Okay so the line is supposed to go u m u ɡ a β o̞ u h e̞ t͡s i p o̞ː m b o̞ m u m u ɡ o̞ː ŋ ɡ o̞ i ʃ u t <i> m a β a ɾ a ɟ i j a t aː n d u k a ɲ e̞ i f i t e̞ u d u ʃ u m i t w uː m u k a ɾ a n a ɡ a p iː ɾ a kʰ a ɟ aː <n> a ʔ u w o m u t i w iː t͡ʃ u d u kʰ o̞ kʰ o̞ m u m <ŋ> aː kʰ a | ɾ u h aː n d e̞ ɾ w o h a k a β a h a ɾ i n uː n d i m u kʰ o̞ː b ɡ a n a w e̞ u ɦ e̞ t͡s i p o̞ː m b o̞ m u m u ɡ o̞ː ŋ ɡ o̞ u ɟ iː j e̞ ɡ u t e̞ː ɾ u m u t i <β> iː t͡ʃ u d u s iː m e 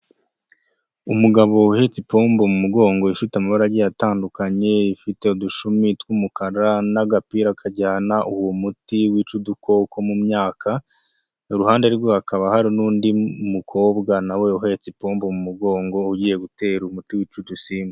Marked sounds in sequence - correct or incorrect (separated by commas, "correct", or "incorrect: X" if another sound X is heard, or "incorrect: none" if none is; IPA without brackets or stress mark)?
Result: incorrect: a, correct, incorrect: ɲ, incorrect: w